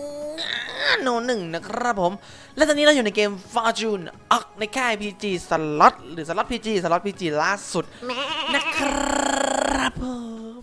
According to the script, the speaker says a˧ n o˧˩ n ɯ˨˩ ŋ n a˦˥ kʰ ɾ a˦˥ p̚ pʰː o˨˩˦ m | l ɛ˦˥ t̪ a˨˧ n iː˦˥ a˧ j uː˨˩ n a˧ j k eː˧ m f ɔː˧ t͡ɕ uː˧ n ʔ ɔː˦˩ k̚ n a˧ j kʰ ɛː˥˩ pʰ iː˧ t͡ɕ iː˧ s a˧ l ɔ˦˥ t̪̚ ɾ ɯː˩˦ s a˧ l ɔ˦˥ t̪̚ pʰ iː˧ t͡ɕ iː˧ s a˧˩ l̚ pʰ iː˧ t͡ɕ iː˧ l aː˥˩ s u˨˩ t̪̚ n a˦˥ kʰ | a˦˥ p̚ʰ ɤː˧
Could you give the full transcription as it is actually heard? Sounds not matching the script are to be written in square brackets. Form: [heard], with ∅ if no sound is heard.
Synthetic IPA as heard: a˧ n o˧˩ n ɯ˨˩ ŋ n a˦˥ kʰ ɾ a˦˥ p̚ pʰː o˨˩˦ m | l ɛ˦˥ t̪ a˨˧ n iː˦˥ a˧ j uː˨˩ n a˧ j k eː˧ m f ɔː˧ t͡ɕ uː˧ n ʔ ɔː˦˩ k̚ n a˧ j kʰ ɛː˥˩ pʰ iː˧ t͡ɕ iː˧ s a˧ l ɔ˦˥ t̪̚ ɾ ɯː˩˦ s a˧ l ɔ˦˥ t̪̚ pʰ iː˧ t͡ɕ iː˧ s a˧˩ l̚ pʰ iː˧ t͡ɕ iː˧ l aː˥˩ s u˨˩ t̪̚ n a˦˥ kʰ | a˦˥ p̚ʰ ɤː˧